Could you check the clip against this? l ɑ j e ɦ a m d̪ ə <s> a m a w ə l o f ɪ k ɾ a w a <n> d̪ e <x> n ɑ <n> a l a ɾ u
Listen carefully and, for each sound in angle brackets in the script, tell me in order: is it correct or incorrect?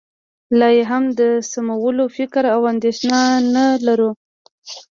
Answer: correct, correct, incorrect: ʃ, correct

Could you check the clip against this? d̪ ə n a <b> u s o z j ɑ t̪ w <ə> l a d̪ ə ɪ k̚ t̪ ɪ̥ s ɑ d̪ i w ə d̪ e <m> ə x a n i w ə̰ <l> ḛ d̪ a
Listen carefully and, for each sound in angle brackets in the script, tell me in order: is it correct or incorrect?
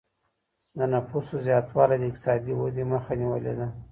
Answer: incorrect: p, incorrect: ɑ, correct, correct

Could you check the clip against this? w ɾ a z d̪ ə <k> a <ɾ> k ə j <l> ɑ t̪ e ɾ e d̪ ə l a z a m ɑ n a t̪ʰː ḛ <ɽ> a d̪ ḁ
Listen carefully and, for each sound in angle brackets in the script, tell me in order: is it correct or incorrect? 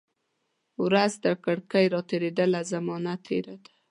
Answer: correct, incorrect: ɽ, incorrect: ɾ, incorrect: ɾ

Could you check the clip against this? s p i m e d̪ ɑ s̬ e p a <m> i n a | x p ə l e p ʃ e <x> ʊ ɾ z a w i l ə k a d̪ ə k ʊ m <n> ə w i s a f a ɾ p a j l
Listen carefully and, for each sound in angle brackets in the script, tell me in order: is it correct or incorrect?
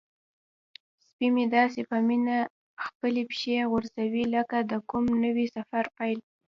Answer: correct, incorrect: ɣ, correct

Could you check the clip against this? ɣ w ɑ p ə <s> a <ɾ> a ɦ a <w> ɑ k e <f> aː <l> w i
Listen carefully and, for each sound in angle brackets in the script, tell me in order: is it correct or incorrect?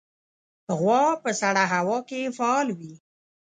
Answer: correct, incorrect: ɽ, correct, correct, correct

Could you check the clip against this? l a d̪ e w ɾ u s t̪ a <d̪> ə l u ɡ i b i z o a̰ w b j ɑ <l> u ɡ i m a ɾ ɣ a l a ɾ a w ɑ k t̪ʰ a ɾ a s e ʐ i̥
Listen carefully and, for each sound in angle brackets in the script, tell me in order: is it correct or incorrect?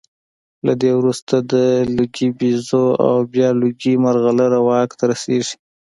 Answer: correct, correct

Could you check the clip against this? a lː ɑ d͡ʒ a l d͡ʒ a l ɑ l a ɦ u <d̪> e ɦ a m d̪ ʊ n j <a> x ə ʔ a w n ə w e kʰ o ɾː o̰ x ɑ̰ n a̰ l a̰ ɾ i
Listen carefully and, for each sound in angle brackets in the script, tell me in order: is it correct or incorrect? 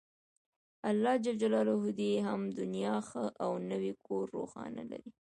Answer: correct, incorrect: ɑ

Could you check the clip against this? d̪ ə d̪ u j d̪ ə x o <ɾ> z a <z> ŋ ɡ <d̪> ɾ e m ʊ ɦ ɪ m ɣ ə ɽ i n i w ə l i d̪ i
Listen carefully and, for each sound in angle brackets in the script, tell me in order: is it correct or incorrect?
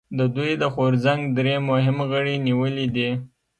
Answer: correct, incorrect: none, correct

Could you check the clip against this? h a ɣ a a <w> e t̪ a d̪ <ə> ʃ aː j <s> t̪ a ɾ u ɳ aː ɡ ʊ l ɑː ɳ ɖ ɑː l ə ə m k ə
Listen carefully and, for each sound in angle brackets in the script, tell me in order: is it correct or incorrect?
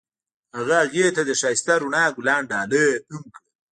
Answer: incorrect: ɣ, correct, correct

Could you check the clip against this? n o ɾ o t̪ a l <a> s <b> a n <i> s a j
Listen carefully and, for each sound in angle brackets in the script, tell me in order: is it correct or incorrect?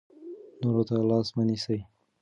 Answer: incorrect: ɑ, incorrect: m, correct

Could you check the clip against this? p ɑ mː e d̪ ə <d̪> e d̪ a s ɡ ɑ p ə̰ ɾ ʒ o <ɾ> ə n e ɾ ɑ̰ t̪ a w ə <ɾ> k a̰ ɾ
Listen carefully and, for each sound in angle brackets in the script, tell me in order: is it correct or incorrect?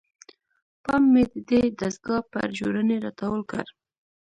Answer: correct, correct, incorrect: l

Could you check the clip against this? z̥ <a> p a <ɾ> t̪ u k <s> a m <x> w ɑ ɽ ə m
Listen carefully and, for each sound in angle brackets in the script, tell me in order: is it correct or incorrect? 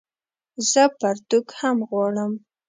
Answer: incorrect: ə, correct, incorrect: h, incorrect: ɣ

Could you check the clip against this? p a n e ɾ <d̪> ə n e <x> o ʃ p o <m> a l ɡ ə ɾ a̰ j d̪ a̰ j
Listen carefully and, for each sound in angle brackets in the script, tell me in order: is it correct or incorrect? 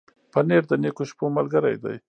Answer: correct, incorrect: k, correct

